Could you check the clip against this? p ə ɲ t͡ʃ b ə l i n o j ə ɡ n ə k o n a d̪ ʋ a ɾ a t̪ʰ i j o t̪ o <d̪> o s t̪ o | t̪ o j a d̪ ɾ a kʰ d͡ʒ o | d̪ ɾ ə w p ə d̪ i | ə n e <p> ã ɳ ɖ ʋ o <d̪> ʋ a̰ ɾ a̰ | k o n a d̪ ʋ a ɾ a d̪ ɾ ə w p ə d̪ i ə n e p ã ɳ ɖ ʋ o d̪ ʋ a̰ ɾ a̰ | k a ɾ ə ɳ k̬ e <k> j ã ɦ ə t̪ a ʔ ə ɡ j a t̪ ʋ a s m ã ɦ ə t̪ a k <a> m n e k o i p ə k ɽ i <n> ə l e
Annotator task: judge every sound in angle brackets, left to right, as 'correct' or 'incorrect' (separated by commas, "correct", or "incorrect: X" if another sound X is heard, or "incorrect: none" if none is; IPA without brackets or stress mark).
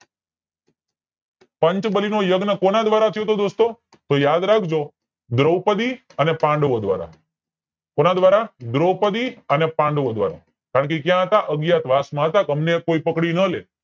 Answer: correct, correct, correct, correct, incorrect: ə, correct